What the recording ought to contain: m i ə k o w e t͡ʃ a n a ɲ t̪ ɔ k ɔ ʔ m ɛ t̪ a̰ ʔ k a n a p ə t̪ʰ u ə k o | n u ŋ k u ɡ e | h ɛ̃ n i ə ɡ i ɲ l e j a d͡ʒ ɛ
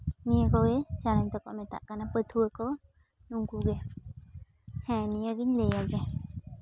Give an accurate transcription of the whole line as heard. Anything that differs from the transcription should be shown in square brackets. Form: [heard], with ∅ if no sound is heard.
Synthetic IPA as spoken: [n] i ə k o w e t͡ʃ a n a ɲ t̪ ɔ k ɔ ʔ m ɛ t̪ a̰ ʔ k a n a p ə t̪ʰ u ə k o | n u ŋ k u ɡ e | h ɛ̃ n i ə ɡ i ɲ l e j a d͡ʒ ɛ

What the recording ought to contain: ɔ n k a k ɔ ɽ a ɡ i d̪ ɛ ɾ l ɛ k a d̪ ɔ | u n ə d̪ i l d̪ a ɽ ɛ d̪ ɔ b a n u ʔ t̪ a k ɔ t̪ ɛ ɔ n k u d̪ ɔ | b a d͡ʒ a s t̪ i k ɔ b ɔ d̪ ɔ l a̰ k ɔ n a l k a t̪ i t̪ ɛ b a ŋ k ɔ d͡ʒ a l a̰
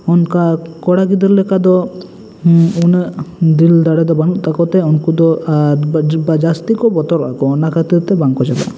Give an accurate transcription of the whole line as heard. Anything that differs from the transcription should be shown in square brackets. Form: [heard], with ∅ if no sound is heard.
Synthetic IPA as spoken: ɔ n k a k ɔ ɽ a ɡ i d̪ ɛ ɾ l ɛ k a d̪ ɔ | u n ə d̪ i l d̪ a ɽ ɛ d̪ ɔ b a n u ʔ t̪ a k ɔ t̪ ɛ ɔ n k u d̪ ɔ | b a d͡ʒ a s t̪ i k ɔ b ɔ [t̪] ɔ [ɾ] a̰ k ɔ n a [∅] k a t̪ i t̪ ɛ b a ŋ k ɔ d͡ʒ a l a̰

